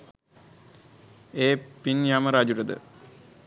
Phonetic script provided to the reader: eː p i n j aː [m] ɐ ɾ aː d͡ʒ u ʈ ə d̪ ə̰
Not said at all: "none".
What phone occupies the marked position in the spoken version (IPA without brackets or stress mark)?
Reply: m